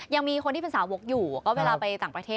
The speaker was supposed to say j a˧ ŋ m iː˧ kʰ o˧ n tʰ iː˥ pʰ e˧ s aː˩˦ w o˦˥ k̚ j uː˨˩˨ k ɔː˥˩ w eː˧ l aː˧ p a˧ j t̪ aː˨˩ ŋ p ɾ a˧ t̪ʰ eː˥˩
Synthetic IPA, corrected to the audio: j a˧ ŋ m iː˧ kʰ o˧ n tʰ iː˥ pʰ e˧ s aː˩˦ w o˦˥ k̚ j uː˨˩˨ k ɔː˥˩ w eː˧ l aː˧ p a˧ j t̪ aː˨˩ ŋ p ɾ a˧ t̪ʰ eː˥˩